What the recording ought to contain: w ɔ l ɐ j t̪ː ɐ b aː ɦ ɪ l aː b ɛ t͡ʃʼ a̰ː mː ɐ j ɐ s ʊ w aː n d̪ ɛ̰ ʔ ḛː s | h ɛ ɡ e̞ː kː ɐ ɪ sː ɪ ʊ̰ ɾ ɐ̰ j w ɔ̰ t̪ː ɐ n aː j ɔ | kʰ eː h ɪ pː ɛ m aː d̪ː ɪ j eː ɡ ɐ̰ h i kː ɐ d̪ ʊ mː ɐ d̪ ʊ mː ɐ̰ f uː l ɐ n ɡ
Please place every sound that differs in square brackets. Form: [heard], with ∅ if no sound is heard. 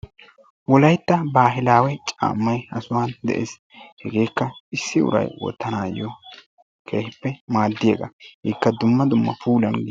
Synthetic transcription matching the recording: w ɔ l ɐ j t̪ː ɐ b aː ɦ ɪ l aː [w] ɛ t͡ʃʼ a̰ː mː ɐ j ɐ s ʊ w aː n d̪ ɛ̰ ʔ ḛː s | h ɛ ɡ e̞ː kː ɐ ɪ sː ɪ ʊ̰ ɾ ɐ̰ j w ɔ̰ t̪ː ɐ n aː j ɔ | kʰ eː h ɪ pː ɛ m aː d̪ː ɪ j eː ɡ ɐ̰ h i kː ɐ d̪ ʊ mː ɐ d̪ ʊ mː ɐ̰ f uː l ɐ n ɡ